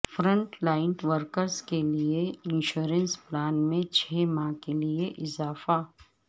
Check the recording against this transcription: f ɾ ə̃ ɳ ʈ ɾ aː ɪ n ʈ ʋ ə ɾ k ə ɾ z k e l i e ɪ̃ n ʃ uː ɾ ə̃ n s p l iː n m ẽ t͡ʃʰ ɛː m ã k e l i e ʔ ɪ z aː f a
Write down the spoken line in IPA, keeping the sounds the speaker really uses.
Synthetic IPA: f ɾ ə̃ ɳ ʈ l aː ɪ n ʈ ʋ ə ɾ k ə ɾ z k e l i e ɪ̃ n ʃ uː ɾ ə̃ n s p l aː n m ẽ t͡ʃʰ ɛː m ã k e l i e ʔ ɪ z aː f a